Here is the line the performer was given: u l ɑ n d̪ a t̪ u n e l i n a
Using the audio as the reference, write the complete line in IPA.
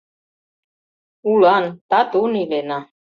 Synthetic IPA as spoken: u l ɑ n t̪ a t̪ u n i l e n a